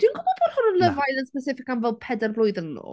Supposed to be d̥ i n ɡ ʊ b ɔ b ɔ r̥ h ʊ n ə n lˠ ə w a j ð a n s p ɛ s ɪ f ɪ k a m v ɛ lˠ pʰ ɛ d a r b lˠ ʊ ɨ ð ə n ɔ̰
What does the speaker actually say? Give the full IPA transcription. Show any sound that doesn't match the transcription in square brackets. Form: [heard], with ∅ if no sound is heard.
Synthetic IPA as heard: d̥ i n ɡ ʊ b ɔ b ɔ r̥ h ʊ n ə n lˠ ə [v] a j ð [ə] n s p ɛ s ɪ f ɪ k a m v ɛ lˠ pʰ ɛ d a r b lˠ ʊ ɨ ð ə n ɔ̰